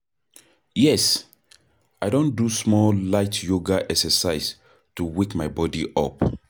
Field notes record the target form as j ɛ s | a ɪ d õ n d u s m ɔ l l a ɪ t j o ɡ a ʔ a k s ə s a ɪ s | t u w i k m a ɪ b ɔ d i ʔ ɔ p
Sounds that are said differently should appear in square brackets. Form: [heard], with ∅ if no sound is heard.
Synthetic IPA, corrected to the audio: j ɛ s | a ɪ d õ n d u s m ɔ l l a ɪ t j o ɡ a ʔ [ɛ] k s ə s a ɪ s | t u w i k m a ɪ b ɔ d i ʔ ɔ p